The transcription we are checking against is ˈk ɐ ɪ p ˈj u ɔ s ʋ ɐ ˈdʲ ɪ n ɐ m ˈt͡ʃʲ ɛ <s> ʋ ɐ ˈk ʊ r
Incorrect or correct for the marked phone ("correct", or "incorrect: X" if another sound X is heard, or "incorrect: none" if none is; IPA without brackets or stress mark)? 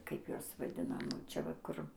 incorrect: none